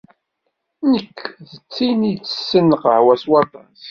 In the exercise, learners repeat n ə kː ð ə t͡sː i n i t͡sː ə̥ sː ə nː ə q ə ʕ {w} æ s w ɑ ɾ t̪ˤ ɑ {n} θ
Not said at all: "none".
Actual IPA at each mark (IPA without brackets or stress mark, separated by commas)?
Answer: w, n